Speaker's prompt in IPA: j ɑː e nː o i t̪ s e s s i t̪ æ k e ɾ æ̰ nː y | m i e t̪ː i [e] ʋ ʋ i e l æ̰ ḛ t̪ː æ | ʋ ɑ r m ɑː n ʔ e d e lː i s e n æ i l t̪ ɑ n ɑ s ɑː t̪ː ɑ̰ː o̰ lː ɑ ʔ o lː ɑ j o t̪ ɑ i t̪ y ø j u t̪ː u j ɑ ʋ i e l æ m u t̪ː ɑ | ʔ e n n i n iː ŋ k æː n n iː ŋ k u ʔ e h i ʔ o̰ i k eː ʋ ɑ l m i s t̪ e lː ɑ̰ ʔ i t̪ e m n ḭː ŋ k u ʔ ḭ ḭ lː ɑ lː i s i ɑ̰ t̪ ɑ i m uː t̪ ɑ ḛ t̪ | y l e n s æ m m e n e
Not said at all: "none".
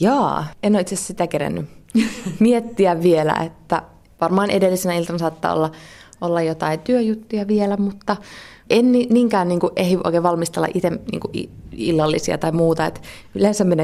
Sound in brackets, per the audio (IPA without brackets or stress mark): æ